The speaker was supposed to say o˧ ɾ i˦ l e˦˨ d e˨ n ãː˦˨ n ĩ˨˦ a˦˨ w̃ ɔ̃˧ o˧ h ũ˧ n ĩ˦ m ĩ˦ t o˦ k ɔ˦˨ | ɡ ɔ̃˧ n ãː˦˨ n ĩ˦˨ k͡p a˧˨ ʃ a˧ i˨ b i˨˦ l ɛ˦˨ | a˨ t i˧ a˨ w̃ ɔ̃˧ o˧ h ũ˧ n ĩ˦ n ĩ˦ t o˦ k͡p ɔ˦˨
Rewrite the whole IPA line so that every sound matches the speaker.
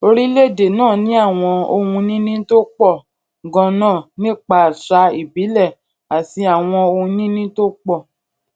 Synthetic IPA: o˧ ɾ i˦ l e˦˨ d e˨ n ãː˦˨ n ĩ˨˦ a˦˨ w̃ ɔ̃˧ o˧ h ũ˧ n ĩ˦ n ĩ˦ t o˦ k͡p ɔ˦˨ | ɡ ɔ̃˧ n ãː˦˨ n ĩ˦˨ k͡p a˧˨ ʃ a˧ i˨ b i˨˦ l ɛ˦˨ | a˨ t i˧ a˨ w̃ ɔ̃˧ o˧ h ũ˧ n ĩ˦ n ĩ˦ t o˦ k͡p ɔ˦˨